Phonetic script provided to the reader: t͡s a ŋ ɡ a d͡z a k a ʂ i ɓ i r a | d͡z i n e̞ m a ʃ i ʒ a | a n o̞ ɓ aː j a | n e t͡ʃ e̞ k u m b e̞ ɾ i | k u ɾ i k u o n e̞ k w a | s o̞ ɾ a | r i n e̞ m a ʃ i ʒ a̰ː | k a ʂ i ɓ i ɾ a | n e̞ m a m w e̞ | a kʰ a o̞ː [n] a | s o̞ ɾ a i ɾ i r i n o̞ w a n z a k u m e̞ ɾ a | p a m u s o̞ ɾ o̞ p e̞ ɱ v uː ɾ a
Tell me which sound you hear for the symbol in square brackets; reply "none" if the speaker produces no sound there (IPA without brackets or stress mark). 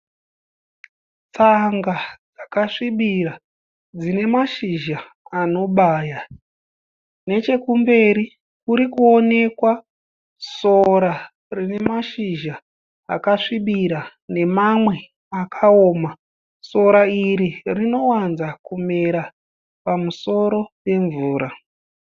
m